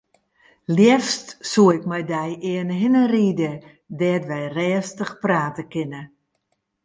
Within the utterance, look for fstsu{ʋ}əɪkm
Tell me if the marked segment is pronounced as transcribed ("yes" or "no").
no